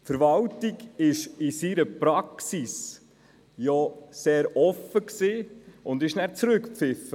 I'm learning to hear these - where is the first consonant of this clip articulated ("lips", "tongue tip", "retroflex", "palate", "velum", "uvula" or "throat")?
lips